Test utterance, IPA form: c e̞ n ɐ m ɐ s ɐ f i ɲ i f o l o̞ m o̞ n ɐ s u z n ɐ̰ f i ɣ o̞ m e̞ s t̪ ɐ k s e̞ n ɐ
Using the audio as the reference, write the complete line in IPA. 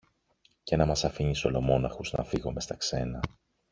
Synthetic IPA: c e̞ n ɐ m ɐ s ɐ f i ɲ i s o l o̞ m o̞ n ɐ x u z n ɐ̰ f i ɣ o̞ m e̞ s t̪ ɐ k s e̞ n ɐ